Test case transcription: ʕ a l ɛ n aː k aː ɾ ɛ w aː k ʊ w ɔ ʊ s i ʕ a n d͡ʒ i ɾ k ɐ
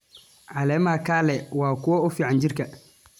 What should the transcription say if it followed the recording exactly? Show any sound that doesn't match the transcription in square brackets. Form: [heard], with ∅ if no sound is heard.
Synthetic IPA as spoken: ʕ a l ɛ [m] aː k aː [l] ɛ w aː k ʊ w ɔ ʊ [f] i ʕ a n d͡ʒ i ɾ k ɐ